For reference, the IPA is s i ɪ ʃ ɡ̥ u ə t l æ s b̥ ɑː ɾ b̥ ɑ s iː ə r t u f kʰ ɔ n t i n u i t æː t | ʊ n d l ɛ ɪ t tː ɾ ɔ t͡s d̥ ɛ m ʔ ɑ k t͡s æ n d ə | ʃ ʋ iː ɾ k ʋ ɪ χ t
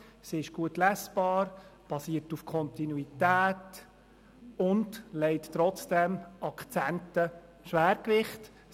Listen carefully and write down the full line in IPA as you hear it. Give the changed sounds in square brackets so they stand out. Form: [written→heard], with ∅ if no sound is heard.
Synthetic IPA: s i ɪ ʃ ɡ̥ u ə t l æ s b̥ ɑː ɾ b̥ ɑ s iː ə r t u f kʰ ɔ n t i n u i t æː t | ʊ n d l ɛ ɪ t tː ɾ ɔ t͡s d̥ ɛ m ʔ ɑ k t͡s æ n [d→t] ə | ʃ ʋ [iː→æː] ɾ k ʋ ɪ χ t